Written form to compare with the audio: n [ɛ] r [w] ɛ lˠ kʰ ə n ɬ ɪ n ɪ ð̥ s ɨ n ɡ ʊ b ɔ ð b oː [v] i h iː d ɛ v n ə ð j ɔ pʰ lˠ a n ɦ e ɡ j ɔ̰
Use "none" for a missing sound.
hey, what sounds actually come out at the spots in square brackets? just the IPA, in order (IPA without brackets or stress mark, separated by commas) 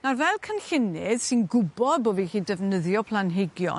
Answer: a, v, v